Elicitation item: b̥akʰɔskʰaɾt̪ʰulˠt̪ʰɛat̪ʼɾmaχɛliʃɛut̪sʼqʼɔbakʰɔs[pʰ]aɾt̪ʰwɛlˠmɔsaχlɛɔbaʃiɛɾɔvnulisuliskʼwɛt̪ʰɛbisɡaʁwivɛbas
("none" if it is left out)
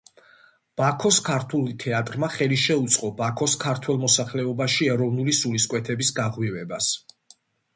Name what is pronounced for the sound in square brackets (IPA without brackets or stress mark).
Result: kʰ